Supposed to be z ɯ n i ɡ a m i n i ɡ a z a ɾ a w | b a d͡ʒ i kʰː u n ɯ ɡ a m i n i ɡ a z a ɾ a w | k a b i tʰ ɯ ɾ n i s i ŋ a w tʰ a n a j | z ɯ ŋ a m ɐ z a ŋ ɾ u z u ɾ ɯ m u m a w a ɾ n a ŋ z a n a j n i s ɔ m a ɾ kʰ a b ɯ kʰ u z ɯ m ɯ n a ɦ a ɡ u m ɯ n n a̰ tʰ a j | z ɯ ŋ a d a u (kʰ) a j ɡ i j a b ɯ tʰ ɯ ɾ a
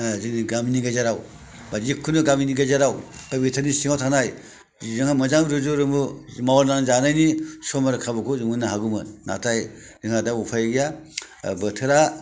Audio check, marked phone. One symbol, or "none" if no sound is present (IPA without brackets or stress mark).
pʰ